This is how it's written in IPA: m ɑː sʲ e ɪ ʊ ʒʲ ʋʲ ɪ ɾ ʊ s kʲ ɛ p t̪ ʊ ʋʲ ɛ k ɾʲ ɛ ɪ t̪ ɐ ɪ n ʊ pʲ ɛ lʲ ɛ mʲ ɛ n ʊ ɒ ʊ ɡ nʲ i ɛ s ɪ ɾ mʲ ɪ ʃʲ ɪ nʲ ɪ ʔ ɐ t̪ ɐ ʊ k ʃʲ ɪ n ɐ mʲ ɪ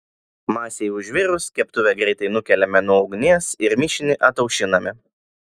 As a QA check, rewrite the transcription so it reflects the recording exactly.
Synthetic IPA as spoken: m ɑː sʲ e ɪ ʊ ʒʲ ʋʲ ɪ ɾ ʊ s kʲ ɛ p t̪ ʊ ʋʲ ɛ ɡ ɾʲ ɛ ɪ t̪ ɐ ɪ n ʊ kʲ ɛ lʲ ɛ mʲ ɛ n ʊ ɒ ʊ ɡ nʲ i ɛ s ɪ ɾ mʲ ɪ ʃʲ ɪ nʲ ɪ ʔ ɐ t̪ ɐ ʊ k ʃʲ ɪ n ɐ mʲ ɪ